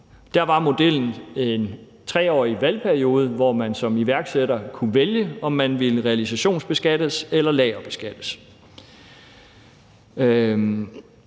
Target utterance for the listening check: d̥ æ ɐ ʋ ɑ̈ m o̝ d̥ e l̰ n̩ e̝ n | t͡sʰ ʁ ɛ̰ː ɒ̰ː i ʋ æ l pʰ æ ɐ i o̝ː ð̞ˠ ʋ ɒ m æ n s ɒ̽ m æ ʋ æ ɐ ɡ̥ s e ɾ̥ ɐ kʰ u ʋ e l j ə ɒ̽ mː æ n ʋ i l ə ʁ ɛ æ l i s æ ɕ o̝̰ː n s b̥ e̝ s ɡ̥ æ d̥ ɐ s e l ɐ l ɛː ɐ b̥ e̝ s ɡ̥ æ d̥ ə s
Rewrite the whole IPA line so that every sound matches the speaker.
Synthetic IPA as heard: d̥ æ ɐ ʋ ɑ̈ m o̝ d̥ e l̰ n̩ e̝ n | t͡sʰ ʁ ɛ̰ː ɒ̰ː i ʋ æ l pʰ æ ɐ i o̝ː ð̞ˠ ʋ ɒ m æ n s ɒ̽ m i ʋ æ ɐ ɡ̥ s e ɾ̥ ɐ kʰ u ʋ e l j ə ɒ̽ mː æ n ʋ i l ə ʁ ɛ æ l i s æ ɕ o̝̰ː n s b̥ e̝ s ɡ̥ æ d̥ ə s e l ɐ l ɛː ɐ b̥ e̝ s ɡ̥ æ d̥ ə s